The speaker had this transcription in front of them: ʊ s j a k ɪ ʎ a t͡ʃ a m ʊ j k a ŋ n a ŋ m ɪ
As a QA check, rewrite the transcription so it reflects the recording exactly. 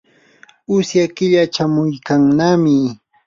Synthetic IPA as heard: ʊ s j a k ɪ ʎ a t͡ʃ a m ʊ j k a ŋ n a m ɪ